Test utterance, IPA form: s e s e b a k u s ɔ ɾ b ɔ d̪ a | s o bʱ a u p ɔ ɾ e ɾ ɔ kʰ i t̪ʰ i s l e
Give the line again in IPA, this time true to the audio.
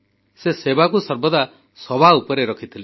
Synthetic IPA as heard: s e s e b a k u s ɔ ɾ b ɔ d̪ a | s ɔ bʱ a u p ɔ ɾ e ɾ ɔ kʰ i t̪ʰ i l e

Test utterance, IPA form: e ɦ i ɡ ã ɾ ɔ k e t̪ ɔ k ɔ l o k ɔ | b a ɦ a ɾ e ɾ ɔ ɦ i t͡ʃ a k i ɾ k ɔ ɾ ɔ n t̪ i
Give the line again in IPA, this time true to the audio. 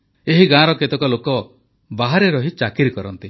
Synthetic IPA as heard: e ɦ i ɡ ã ɾ ɔ k e t̪ ɔ k ɔ l o k ɔ | b a ɦ a ɾ e ɾ ɔ ɦ i t͡ʃ a k i ɾ k ɔ ɾ ɔ n t̪ i

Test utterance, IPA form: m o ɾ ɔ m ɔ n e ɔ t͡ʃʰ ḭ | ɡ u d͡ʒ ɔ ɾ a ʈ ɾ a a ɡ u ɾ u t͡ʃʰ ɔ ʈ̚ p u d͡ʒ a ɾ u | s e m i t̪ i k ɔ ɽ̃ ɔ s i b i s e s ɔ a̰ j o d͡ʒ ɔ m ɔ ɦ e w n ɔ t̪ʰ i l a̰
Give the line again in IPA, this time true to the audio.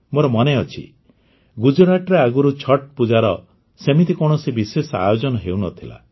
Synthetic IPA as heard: m o ɾ ɔ m ɔ n e ɔ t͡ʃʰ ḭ | ɡ u d͡ʒ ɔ ɾ a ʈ ɾ e a ɡ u ɾ u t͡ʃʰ ɔ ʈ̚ p u d͡ʒ a ɾ ɔ | s e m i t̪ i k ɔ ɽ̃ ɔ s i b i s e s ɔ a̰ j o d͡ʒ ɔ n ɔ ɦ e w n ɔ t̪ʰ i l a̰

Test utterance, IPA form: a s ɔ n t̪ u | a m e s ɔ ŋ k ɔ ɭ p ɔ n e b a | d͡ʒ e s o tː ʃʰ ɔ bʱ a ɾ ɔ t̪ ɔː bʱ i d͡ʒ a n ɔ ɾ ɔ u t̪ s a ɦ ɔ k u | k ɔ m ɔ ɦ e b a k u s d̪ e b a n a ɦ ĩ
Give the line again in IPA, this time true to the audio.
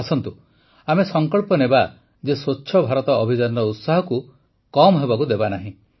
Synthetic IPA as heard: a s ɔ n t̪ u | a m e s ɔ ŋ k ɔ ɭ p ɔ n e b a | d͡ʒ e s o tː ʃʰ ɔ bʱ a ɾ ɔ t̪ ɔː bʱ i d͡ʒ a n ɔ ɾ ɔ u t̪ s a ɦ ɔ k u | k ɔ m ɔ ɦ e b a k u d̪ e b a n a ɦ ĩ

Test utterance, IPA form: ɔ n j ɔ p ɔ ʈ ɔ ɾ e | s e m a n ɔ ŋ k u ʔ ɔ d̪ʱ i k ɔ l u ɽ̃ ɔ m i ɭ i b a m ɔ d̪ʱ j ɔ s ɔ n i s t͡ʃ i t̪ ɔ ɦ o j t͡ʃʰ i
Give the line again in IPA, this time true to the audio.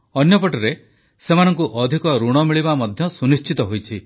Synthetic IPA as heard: ɔ n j ɔ p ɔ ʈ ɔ ɾ e | s e m a n ɔ ŋ k u ʔ ɔ d̪ʱ i k ɔ ɾ u ɽ̃ ɔ m i ɭ i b a m ɔ d̪ʱ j ɔ s u n i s t͡ʃ i t̪ ɔ ɦ o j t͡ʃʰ i

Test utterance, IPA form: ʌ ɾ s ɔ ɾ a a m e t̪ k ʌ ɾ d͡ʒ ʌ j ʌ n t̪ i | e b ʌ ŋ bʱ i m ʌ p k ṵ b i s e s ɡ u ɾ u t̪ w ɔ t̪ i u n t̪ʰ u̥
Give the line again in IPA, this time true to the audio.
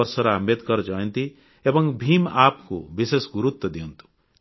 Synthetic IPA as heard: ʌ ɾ s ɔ ɾ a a m e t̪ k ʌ ɾ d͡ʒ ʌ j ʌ n t̪ i | e b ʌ ŋ bʱ i m a p k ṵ b i s e s ɡ u ɾ u t̪ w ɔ d̪ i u n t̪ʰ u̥

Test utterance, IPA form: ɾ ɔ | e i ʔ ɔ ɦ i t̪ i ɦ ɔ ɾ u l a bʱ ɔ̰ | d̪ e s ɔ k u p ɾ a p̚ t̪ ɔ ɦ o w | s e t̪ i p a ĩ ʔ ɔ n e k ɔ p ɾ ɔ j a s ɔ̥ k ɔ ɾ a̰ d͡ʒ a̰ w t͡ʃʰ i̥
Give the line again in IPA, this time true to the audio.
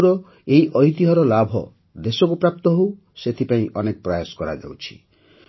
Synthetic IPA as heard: ɾ ɔ | e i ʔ ɔ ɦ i t̪ i ɦ ɔ ɾ ɔ l a bʱ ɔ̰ | d̪ e s ɔ k u p ɾ a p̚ t̪ ɔ ɦ o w | s e t̪ʰ i p a ĩ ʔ ɔ n e k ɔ p ɾ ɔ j a s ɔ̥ k ɔ ɾ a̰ d͡ʒ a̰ w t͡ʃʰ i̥

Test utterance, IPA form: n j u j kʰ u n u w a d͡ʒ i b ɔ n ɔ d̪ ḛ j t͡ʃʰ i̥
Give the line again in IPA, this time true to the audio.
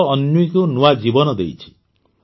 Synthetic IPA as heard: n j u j k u n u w a d͡ʒ i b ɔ n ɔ d̪ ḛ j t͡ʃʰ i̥

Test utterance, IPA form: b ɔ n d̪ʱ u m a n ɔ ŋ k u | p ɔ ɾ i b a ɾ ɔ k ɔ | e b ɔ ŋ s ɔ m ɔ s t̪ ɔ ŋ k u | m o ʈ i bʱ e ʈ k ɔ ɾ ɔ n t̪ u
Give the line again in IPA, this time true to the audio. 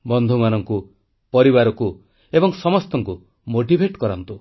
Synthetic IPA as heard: b ɔ n d̪ʱ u m a n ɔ ŋ k u | p ɔ ɾ i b a ɾ ɔ k u | e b ɔ ŋ s ɔ m ɔ s t̪ ɔ ŋ k u | m o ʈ i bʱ e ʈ k ɔ ɾ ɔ n t̪ u

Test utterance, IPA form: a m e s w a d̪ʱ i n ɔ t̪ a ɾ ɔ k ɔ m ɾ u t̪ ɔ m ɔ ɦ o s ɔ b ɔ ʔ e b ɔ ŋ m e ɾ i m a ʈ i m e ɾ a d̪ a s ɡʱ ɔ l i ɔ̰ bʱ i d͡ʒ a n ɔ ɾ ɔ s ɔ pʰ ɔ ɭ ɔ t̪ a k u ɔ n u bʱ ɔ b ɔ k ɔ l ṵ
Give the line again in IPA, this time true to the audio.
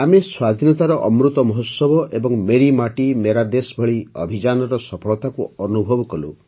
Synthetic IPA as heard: a m e s w a d̪ʱ i n ɔ t̪ a ɾ ɔ ʔ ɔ m ɾ u t̪ ɔ m ɔ ɦ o s ɔ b ɔ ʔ e b ɔ ŋ m e ɾ i m a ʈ i m e ɾ a d̪ e s bʱ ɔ ɭ i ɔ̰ bʱ i d͡ʒ a n ɔ ɾ ɔ s ɔ pʰ ɔ ɭ ɔ t̪ a k u ɔ n u bʱ ɔ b ɔ k ɔ l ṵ

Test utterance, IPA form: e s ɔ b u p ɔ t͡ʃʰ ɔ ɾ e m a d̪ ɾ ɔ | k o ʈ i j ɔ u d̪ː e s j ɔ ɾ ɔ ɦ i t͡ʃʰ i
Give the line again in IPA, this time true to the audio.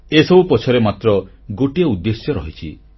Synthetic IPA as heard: e s ɔ b u p ɔ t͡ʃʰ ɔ ɾ e m a t̪ ɾ ɔ | ɡ o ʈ i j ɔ u d̪ː e s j ɔ ɾ ɔ ɦ i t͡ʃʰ i

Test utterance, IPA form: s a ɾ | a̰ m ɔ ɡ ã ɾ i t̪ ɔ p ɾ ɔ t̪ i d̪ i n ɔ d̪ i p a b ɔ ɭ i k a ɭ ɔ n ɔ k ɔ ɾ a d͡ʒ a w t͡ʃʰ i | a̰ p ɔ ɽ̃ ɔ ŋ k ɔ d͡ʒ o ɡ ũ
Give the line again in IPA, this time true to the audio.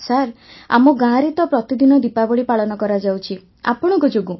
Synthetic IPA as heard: s a ɾ | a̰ m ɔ ɡ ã ɾ i t̪ ɔ p ɾ ɔ t̪ i d̪ i n ɔ d̪ i p a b ɔ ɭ i p a ɭ ɔ n ɔ k ɔ ɾ a d͡ʒ a w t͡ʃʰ i | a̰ p ɔ ɽ̃ ɔ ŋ k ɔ d͡ʒ o ɡ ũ

